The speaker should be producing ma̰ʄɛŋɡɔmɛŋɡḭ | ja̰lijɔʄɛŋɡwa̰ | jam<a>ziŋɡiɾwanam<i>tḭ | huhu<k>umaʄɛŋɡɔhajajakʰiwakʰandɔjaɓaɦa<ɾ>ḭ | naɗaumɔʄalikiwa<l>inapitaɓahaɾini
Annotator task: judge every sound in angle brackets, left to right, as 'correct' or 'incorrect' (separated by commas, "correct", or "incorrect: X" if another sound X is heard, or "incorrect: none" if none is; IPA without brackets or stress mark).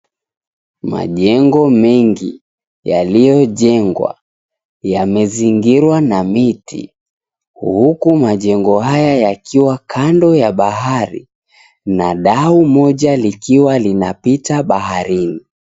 incorrect: ɛ, correct, correct, correct, correct